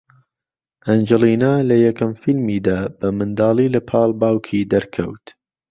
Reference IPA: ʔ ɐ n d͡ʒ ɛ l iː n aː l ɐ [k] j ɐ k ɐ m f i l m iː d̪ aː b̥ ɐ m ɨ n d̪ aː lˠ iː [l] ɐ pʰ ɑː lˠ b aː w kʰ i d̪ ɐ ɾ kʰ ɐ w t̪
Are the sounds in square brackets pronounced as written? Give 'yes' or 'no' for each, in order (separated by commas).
no, yes